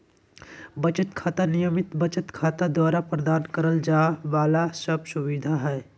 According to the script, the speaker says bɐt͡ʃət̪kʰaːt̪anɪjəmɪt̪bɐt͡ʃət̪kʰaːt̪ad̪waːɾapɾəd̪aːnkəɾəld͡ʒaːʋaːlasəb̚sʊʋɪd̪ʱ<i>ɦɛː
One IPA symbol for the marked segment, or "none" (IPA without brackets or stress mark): a